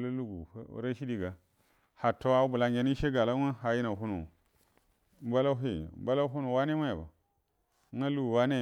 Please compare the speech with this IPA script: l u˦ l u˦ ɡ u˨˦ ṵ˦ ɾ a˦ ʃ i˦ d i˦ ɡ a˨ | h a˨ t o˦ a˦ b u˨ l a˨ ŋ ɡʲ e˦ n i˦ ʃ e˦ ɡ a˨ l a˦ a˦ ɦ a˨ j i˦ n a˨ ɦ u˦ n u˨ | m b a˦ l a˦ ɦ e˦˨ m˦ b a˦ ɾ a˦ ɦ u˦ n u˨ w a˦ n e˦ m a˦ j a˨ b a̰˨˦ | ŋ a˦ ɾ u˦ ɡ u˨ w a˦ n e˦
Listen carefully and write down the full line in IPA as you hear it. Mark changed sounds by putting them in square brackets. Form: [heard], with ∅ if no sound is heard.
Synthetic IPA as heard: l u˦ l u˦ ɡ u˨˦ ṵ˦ ɾ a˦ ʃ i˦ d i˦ ɡ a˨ | h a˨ t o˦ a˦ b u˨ l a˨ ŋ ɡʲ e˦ n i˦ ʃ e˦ ɡ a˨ l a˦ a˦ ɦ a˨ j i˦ n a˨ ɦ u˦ n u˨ | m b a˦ l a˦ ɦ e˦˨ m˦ b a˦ [l] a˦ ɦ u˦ n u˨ w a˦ n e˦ m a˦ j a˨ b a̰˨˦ | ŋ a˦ [l] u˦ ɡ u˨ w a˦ n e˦